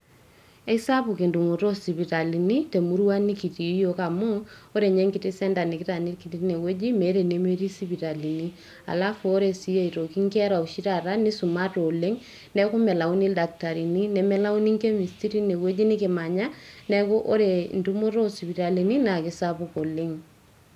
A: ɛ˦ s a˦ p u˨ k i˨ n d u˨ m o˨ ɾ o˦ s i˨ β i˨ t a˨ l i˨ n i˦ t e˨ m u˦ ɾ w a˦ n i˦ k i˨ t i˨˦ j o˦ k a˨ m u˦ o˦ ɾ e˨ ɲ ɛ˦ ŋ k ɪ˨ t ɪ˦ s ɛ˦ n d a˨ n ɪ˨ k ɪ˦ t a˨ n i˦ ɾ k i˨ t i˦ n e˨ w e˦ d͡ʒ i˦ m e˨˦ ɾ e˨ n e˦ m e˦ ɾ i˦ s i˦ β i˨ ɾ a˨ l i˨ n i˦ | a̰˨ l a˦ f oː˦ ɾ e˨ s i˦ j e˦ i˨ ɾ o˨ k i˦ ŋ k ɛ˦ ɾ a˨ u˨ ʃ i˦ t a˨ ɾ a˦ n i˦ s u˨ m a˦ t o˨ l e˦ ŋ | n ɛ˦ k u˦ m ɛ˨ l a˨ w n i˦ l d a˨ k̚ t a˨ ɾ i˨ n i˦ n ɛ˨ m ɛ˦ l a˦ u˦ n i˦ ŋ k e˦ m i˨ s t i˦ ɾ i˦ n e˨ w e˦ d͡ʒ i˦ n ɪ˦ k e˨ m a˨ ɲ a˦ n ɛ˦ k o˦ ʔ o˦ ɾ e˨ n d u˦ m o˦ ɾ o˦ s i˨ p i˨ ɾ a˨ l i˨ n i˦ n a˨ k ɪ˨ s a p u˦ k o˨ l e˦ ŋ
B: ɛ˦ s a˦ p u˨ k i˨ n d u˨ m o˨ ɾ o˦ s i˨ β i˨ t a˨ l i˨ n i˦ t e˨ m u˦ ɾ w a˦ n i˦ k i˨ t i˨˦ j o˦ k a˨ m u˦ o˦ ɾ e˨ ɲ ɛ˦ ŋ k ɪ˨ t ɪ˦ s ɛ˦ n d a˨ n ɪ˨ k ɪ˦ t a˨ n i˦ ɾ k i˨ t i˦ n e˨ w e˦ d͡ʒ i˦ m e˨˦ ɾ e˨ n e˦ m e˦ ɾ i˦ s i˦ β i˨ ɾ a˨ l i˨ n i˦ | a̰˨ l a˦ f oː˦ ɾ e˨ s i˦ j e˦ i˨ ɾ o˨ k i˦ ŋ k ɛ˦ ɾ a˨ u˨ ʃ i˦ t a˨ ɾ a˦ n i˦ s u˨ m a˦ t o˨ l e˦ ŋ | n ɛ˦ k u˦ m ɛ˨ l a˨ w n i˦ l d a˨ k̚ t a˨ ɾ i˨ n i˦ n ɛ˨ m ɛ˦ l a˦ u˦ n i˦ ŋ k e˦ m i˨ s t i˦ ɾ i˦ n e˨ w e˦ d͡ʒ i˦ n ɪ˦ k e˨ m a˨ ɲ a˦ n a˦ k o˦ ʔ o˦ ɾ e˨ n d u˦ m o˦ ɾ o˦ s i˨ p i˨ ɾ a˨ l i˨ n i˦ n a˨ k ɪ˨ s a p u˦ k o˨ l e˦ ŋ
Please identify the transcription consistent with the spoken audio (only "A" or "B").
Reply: A